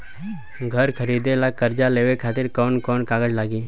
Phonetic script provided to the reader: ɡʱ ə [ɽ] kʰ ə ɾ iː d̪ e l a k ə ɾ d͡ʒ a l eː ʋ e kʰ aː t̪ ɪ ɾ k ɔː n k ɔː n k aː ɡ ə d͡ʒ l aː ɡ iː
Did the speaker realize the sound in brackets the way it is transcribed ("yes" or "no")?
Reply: no